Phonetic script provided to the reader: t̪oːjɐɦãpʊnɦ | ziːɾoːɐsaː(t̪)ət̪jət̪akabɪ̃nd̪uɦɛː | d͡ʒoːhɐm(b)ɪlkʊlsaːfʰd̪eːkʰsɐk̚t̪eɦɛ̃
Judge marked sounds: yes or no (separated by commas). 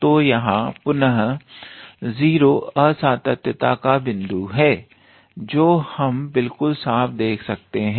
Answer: yes, yes